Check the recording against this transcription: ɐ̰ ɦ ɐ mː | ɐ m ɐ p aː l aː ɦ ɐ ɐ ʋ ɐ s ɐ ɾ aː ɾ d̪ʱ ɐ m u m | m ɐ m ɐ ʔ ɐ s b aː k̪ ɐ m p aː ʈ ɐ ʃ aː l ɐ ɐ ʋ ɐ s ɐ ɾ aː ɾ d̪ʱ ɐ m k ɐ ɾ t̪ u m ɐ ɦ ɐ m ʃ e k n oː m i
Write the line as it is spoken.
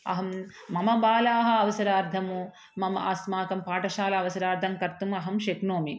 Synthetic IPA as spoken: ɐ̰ ɦ ɐ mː | ɐ m ɐ b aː l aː ɦ ɐ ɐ ʋ ɐ s ɐ ɾ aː ɾ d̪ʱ ɐ m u | m ɐ m ɐ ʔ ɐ s m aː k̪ ɐ m p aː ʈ ɐ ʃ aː l ɐ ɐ ʋ ɐ s ɐ ɾ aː ɾ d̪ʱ ɐ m k ɐ ɾ t̪ u m ɐ ɦ ɐ m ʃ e k n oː m i